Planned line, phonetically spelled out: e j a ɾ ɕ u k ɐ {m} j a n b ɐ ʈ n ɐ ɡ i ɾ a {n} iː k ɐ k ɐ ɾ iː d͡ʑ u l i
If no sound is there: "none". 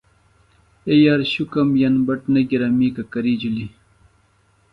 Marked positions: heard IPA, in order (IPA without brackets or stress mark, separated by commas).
m, m